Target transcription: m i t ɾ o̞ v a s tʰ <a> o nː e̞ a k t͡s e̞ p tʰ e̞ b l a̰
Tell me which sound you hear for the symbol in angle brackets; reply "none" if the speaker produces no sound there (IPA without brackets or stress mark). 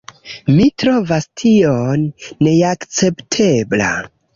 i